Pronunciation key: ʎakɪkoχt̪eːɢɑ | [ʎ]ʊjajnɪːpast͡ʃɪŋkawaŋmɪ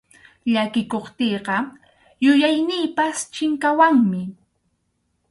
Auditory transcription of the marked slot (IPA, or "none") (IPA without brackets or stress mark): j